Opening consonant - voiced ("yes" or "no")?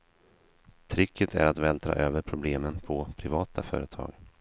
no